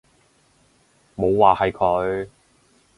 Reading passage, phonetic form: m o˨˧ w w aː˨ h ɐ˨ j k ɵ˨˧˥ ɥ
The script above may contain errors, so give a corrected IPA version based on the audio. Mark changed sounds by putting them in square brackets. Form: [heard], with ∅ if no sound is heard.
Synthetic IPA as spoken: m o˨˧ w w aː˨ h ɐ˨ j [kʰ] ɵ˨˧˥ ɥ